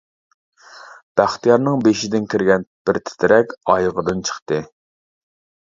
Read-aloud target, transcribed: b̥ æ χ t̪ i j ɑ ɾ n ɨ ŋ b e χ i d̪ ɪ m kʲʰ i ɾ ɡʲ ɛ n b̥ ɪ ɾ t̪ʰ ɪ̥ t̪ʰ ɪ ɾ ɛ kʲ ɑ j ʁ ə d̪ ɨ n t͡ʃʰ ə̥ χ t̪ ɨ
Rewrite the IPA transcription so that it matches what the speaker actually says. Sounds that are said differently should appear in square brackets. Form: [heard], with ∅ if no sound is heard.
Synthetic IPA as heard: b̥ æ χ t̪ i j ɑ ɾ n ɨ ŋ b e [ʃ] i d̪ ɪ [n] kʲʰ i ɾ ɡʲ ɛ n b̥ ɪ ɾ t̪ʰ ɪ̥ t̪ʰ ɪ ɾ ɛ kʲ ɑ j ʁ ə d̪ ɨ n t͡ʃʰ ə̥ χ t̪ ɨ